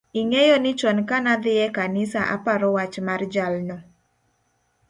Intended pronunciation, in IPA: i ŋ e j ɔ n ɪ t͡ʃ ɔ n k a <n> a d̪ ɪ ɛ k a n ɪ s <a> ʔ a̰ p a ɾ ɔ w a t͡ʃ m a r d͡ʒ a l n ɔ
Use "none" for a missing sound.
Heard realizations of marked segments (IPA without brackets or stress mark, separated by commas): n, a